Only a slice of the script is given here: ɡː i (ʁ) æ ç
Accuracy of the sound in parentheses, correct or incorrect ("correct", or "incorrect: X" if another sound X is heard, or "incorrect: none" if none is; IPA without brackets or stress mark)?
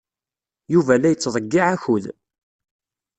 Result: incorrect: ʕ